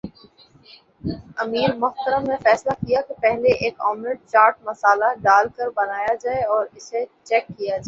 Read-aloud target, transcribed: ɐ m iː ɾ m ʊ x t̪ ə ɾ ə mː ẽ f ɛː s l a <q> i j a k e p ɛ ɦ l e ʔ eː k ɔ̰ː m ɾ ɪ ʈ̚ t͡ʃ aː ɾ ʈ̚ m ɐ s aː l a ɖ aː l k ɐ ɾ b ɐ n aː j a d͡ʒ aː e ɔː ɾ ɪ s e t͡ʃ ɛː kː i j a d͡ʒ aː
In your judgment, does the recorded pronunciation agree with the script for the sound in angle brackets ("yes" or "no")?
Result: no